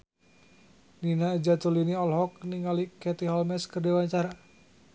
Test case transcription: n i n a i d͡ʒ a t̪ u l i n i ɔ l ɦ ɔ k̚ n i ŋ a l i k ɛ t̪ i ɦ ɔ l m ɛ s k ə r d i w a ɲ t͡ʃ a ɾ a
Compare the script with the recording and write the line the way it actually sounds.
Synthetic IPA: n i n a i d͡ʒ a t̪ u l i n i ɔ l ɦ ɔ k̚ n i ŋ a l i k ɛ t̪ i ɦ ɔ l m ɛ s k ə r d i w a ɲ t͡ʃ a ɾ a